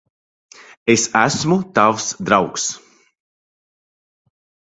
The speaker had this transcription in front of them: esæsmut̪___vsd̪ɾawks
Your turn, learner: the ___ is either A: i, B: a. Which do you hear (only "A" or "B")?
B